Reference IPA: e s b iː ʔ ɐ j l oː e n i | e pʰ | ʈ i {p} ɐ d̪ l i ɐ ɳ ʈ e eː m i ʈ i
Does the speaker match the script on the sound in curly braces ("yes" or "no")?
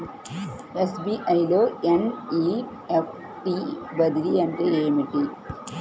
no